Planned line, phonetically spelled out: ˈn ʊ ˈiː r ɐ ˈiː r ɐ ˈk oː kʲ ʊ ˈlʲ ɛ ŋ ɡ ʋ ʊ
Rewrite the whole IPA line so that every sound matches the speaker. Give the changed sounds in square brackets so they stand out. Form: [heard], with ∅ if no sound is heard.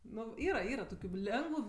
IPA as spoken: ˈn ʊ ˈiː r ɐ ˈiː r ɐ [ˈt] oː kʲ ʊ ˈlʲ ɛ ŋ ɡ ʋ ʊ

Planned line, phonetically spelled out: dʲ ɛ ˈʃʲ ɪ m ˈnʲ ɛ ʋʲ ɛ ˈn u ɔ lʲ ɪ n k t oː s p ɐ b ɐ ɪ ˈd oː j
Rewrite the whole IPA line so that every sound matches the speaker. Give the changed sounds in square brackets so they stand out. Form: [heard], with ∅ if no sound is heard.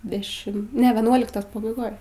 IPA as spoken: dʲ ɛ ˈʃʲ ɪ m ˈnʲ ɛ ʋʲ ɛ ˈn u ɔ lʲ ɪ [∅] k t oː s p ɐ b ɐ ɪ [ˈɡ] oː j

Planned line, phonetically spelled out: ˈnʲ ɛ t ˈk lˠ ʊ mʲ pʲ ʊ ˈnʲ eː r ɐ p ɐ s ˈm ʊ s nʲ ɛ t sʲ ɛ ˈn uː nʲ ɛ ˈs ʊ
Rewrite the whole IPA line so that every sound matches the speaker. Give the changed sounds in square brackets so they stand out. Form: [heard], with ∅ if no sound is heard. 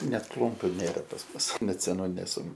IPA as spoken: ˈnʲ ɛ t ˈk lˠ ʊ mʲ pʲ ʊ ˈnʲ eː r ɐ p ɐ s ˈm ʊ s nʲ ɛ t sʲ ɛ ˈn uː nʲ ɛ ˈs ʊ

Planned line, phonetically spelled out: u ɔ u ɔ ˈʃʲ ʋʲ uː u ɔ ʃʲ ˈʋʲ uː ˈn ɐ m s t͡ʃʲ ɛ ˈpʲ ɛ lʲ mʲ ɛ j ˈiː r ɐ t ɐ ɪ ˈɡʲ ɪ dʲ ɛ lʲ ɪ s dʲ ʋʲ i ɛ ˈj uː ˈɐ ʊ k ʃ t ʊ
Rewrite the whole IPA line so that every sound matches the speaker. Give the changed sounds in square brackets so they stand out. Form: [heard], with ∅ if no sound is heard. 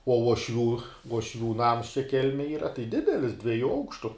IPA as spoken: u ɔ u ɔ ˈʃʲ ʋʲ uː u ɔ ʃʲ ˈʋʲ uː ˈn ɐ m s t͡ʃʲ ɛ [ˈkʲ] ɛ lʲ mʲ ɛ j ˈiː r ɐ t ɐ ɪ [ˈdʲ] ɪ dʲ ɛ lʲ ɪ s dʲ ʋʲ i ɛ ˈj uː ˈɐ ʊ k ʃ t ʊ

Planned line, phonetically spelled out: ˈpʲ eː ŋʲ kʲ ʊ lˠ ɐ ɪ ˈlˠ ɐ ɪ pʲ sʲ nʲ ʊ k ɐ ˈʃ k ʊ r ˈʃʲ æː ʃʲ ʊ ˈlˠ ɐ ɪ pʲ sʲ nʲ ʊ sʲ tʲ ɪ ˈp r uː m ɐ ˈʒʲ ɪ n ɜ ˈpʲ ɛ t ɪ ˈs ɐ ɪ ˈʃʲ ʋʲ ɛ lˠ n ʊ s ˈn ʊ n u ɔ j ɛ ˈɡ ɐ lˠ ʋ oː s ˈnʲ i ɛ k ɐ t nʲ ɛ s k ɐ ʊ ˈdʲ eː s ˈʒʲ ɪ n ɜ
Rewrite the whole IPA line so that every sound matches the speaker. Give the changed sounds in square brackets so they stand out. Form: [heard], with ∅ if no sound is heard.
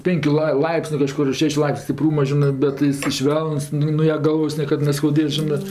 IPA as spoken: ˈpʲ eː ŋʲ kʲ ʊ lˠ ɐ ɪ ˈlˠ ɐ ɪ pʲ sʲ nʲ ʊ k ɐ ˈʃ k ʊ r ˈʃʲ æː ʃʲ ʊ ˈlˠ ɐ ɪ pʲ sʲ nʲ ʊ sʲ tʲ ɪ ˈp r uː m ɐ ˈʒʲ ɪ n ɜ [ˈbʲ] ɛ t ɪ ˈs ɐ ɪ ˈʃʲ ʋʲ ɛ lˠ n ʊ s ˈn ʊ n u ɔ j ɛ ˈɡ ɐ lˠ ʋ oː s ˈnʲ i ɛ k ɐ t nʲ ɛ s k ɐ ʊ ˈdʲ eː s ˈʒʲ ɪ n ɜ

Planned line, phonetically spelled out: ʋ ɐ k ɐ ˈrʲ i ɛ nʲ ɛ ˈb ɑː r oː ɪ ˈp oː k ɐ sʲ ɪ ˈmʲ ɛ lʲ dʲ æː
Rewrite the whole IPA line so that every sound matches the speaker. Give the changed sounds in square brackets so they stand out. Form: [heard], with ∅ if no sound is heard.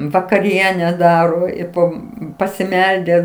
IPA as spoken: ʋ ɐ k ɐ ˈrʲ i ɛ nʲ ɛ [ˈd] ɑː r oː ɪ ˈp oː [p] ɐ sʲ ɪ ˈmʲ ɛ lʲ dʲ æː

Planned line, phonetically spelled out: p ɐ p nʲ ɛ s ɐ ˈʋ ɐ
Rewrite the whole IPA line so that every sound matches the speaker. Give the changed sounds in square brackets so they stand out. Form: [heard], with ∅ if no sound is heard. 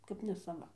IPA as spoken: [k] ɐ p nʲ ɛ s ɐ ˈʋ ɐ

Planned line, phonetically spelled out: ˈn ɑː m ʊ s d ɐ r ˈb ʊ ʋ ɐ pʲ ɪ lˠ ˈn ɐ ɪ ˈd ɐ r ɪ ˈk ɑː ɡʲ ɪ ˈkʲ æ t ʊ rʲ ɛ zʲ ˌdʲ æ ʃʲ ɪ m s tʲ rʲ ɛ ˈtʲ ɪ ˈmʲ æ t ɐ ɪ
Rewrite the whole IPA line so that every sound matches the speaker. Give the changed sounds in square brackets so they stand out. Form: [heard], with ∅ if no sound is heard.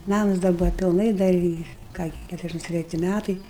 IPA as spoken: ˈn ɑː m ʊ s d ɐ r ˈb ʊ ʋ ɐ pʲ ɪ lˠ ˈn ɐ ɪ ˈd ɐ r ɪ ˈk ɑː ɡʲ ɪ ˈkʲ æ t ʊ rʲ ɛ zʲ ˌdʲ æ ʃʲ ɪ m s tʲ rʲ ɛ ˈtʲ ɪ ˈmʲ æ t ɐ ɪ

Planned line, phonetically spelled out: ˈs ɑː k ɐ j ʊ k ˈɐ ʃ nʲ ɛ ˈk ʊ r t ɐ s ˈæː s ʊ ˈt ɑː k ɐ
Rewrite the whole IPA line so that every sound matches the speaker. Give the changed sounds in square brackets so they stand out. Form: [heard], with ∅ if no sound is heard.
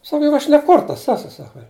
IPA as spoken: ˈs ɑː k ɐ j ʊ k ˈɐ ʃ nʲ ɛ ˈk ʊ r t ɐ s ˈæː s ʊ [ˈs] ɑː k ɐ

